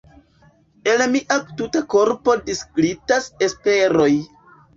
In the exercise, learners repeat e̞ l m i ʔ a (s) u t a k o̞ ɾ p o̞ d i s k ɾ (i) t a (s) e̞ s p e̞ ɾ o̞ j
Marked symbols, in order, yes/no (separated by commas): no, yes, yes